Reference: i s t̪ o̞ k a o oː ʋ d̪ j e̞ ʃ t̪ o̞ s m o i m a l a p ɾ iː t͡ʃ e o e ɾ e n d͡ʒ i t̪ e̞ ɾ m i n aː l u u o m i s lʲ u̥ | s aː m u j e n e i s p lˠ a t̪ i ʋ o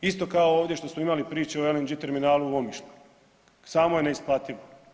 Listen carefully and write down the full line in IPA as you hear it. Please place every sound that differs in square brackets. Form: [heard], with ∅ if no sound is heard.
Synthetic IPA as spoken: i s t̪ o̞ k a o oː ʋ d̪ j e̞ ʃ t̪ o̞ s m o i m a l [i] p ɾ iː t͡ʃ e o e [l] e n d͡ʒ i t̪ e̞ ɾ m i n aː l u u o m i [ʃ] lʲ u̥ | s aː m [o] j e n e i s p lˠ a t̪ i ʋ o